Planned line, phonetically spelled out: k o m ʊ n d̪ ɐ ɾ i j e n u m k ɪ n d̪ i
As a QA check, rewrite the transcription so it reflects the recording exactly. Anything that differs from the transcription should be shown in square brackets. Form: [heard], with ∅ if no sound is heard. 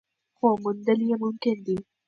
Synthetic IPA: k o m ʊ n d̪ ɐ [l] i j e [m] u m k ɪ n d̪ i